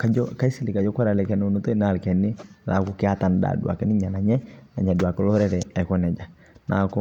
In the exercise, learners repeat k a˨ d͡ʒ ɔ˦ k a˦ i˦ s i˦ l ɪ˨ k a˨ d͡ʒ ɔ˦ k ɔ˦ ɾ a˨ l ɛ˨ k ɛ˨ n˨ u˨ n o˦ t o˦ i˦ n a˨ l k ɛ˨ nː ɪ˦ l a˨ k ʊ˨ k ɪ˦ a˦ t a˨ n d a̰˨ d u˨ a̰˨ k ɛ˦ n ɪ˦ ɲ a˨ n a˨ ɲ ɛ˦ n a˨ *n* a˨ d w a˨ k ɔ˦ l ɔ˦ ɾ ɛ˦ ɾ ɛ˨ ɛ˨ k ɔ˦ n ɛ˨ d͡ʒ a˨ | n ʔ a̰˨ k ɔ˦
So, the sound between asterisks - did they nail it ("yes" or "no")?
no